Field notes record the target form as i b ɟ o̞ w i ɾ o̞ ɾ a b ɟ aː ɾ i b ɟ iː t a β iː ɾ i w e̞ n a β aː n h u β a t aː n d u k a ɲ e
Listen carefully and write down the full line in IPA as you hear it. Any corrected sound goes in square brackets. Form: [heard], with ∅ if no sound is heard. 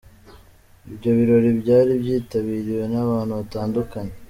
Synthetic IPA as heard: i b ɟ o̞ [β] i ɾ o̞ ɾ [i] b ɟ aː ɾ i b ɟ iː t a β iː ɾ i w e̞ n a β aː n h u β a t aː n d u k a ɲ e